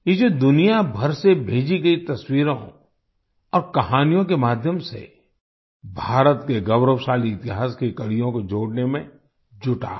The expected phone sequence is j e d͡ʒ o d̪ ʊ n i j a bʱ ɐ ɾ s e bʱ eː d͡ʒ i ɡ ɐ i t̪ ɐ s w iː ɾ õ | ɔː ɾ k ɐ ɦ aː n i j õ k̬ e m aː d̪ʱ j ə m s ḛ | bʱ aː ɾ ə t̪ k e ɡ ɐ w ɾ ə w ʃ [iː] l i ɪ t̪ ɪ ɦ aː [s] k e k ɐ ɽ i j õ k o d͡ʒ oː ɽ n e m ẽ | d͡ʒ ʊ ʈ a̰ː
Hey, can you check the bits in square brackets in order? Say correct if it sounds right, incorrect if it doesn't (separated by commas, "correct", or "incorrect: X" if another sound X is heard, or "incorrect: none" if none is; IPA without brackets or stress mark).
incorrect: aː, correct